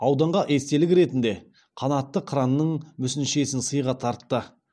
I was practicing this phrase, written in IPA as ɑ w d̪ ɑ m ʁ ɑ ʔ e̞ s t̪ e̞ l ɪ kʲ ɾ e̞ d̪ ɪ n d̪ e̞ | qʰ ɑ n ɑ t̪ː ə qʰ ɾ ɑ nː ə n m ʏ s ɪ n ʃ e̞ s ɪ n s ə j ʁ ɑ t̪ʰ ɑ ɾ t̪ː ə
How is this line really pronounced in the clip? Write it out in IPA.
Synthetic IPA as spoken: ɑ w d̪ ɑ ɴ ʁ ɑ ʔ e̞ s t̪ e̞ l ɪ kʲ ɾ e̞ t̪ ɪ n d̪ e̞ | qʰ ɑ n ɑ t̪ː ə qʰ ɾ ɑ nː ə ɴ m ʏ s ɪ n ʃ e̞ s ɪ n s ə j ʁ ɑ t̪ʰ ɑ ɾ t̪ː ə